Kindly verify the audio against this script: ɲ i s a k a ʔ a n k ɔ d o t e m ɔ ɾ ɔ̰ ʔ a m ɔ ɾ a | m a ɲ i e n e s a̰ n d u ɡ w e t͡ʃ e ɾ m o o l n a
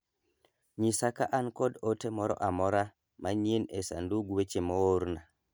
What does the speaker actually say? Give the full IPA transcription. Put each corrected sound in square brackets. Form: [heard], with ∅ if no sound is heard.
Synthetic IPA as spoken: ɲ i s a k a ʔ a n k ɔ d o t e m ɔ ɾ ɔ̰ ʔ a m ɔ ɾ a | m a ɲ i e n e s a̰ n d u ɡ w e t͡ʃ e [∅] m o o [ɾ] n a